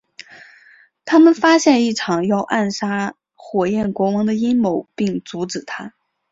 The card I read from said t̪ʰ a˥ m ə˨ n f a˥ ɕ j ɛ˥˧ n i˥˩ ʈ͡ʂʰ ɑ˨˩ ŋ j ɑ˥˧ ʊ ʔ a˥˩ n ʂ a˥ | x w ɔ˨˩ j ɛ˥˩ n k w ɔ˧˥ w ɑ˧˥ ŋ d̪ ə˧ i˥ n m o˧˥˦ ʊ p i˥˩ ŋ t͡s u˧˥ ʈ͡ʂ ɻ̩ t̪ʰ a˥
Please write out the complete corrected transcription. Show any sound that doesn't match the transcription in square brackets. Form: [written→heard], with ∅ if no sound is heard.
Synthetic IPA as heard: t̪ʰ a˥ m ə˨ n f a˥ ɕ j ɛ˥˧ n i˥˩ ʈ͡ʂʰ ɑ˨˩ ŋ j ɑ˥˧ ʊ ʔ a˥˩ n ʂ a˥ | x w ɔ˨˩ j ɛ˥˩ n k w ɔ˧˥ w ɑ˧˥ ŋ d̪ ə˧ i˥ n m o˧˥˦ ʊ p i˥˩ ŋ t͡s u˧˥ ʈ͡ʂ ɻ̩ t̪ʰ a˥